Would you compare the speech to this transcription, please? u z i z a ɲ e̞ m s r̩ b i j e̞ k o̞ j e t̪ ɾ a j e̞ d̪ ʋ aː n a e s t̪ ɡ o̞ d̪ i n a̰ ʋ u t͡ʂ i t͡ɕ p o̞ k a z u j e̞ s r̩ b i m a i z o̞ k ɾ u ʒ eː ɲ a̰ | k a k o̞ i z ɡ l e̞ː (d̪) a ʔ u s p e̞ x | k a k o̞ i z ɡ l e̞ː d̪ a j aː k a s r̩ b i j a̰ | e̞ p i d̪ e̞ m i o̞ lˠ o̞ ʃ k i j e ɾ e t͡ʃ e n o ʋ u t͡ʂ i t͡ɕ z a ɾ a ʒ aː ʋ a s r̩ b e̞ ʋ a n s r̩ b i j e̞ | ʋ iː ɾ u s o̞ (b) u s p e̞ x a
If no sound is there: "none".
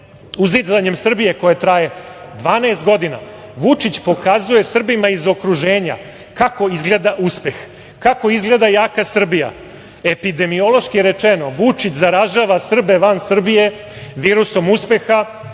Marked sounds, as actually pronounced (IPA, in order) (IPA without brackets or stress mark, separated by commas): d̪, m